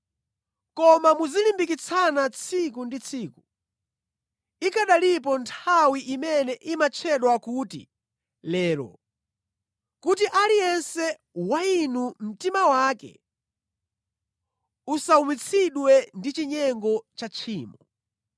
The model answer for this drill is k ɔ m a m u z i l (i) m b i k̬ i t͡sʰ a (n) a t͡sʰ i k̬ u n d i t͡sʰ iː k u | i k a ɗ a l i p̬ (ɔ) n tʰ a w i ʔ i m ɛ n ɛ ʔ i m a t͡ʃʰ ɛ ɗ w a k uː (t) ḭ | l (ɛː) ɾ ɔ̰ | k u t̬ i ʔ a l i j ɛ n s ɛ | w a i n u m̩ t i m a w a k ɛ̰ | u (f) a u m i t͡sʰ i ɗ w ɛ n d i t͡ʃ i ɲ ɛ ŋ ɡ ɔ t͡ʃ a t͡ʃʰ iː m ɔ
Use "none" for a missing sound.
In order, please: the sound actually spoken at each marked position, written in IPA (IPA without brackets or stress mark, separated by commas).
i, n, ɔ, t, ɛː, s